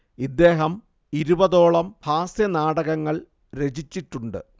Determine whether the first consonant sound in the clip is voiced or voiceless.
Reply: voiced